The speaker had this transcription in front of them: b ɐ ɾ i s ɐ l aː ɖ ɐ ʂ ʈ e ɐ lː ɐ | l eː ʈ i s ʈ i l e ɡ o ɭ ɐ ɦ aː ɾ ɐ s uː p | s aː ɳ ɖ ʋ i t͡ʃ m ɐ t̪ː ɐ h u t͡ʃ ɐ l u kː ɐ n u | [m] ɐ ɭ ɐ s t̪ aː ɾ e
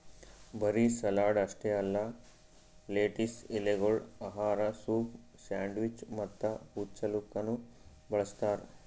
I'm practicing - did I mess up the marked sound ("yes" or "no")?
yes